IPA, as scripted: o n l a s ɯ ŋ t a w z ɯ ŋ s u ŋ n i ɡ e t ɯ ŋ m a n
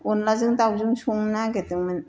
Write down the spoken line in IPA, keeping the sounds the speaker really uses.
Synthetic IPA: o n l a z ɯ ŋ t a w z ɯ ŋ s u ŋ n a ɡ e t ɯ ŋ m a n

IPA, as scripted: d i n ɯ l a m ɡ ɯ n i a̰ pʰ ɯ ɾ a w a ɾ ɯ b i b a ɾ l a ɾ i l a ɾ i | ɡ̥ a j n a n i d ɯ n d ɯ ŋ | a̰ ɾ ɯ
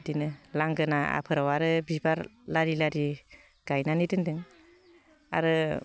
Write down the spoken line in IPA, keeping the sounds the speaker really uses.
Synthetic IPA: d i n ɯ l a ŋ ɡ ɯ n a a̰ pʰ ɯ ɾ a w a ɾ ɯ b i b a ɾ l a ɾ i l a ɾ i | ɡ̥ a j n a n i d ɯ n d ɯ ŋ | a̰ ɾ ɯ

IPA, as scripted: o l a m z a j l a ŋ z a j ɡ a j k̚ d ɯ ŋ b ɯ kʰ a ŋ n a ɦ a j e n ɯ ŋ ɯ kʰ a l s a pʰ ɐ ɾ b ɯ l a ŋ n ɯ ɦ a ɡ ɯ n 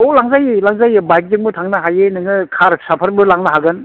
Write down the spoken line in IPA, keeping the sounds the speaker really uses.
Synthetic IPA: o l a ŋ z a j l a ŋ z a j b a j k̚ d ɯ ŋ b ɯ tʰ a ŋ n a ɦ a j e n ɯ ŋ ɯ kʰ a ɾ s a pʰ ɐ ɾ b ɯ l a ŋ n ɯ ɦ a ɡ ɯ n

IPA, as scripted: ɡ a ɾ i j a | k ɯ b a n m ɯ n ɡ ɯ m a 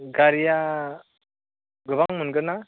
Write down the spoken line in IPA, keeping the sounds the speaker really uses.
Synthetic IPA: ɡ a ɾ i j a | ɡ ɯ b a ŋ m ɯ n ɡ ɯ n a

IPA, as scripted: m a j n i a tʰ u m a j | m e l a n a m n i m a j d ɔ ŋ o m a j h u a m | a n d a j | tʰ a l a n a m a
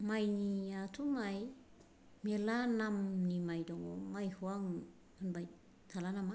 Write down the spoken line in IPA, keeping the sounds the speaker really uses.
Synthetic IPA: m a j n i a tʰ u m a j | m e l a n a m n i m a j d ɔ ŋ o m a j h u a ŋ | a n b a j | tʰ a l a n a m a

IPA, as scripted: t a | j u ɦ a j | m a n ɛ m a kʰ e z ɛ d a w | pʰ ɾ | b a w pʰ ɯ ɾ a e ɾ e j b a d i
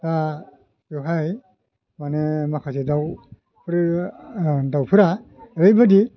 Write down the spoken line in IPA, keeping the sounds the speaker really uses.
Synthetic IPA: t a | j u ɦ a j | m a n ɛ m a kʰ a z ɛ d a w | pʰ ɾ | d a w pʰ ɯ ɾ a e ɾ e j b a d i

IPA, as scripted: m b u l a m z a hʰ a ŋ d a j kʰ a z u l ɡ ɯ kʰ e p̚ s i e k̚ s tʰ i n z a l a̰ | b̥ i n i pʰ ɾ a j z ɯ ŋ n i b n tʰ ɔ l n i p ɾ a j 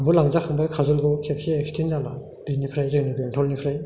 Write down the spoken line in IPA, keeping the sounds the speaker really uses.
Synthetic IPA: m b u l a ŋ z a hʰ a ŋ b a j kʰ a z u l ɡ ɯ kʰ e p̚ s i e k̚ s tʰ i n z a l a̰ | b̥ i n i pʰ ɾ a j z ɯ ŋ n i b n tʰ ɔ l n i pʰ ɾ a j

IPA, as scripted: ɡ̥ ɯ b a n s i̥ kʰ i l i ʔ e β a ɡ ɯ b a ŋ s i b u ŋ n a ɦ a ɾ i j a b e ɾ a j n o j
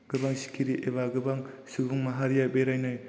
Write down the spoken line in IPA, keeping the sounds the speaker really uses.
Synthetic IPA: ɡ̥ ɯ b a ŋ s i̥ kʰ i ɾ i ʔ e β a ɡ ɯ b a ŋ s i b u ŋ m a ɦ a ɾ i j a b e ɾ a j n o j

